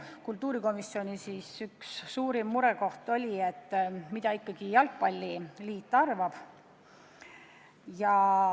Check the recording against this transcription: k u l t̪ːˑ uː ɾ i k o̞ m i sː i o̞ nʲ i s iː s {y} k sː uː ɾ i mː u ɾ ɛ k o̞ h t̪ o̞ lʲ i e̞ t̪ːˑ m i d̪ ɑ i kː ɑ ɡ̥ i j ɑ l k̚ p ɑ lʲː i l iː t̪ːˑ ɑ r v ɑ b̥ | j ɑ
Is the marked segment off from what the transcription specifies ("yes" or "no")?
no